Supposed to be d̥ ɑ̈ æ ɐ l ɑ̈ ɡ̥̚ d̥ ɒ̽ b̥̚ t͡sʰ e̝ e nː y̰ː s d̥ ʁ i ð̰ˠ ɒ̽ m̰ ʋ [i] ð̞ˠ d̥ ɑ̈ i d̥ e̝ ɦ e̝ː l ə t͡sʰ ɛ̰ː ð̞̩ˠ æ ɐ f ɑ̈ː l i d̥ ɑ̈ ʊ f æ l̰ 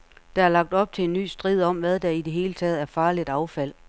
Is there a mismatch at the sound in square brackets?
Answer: yes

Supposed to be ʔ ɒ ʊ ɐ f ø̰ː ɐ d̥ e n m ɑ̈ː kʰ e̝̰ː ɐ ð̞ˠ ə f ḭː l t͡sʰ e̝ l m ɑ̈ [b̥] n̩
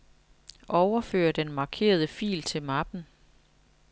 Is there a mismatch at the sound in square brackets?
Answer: no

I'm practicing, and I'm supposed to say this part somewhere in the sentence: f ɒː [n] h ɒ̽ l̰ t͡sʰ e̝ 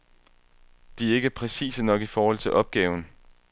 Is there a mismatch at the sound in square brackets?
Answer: yes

